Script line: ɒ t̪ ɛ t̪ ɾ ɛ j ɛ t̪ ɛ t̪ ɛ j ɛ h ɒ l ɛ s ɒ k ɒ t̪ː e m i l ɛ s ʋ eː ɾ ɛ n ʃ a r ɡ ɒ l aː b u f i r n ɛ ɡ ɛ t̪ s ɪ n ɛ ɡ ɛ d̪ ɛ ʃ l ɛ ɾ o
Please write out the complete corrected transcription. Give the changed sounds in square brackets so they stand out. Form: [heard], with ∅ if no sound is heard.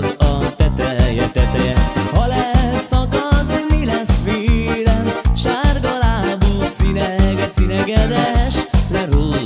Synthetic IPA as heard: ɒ t̪ ɛ t̪ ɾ ɛ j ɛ t̪ ɛ t̪ ɛ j ɛ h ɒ l ɛ s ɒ k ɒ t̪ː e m i l ɛ s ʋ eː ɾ ɛ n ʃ a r ɡ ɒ l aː b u [s] i [∅] n ɛ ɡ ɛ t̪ s [i] n ɛ ɡ ɛ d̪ ɛ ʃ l ɛ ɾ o